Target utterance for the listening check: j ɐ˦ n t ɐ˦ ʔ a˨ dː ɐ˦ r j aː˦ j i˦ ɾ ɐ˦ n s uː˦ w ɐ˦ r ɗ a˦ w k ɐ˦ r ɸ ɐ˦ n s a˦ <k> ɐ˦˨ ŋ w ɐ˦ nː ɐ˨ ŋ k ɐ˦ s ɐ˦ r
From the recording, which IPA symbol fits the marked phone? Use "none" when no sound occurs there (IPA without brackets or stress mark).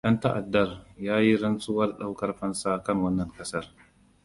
k